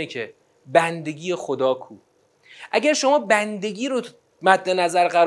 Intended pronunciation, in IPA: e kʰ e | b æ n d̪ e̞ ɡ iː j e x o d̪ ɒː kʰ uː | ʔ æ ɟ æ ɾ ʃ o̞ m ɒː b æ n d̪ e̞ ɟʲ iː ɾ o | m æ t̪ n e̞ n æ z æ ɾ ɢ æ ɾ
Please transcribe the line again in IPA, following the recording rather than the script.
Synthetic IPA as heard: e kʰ e | b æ n d̪ e̞ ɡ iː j e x o d̪ ɒː kʰ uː | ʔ æ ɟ æ ɾ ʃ o̞ m ɒː b æ n d̪ e̞ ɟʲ iː ɾ o | m æ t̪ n e̞ n æ z æ ɾ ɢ æ ɾ